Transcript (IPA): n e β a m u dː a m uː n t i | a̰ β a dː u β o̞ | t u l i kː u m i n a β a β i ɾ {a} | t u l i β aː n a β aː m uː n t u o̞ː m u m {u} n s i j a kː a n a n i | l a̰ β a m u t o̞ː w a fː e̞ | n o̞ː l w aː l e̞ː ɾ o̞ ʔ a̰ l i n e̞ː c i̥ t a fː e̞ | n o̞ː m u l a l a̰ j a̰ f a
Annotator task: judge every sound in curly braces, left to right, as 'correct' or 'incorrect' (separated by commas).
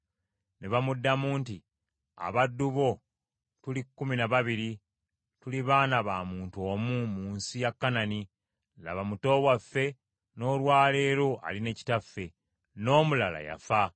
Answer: incorrect, incorrect